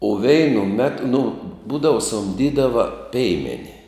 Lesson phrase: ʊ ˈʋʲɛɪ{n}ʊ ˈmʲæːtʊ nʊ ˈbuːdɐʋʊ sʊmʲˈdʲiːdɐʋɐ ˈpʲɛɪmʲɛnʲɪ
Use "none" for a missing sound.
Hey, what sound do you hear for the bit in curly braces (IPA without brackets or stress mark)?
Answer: n